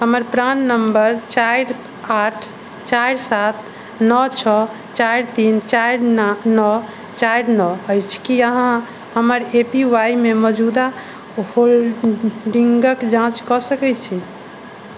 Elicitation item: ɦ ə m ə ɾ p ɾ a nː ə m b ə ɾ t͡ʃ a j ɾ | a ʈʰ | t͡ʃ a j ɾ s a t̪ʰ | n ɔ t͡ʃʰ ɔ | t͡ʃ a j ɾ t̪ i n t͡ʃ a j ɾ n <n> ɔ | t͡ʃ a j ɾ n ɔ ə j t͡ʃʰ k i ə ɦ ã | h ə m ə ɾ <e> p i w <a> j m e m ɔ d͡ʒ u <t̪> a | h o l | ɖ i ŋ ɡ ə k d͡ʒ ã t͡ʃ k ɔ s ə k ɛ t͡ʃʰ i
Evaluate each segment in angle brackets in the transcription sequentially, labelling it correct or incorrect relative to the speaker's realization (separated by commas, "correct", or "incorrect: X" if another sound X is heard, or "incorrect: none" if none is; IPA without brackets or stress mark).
correct, correct, correct, incorrect: d̪